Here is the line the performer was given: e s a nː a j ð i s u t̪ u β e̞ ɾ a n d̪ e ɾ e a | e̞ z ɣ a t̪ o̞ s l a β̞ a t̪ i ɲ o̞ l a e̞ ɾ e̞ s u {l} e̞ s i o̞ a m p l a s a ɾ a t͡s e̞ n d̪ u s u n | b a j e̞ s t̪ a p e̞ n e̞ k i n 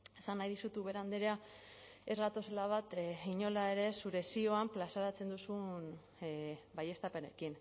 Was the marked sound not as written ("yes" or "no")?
yes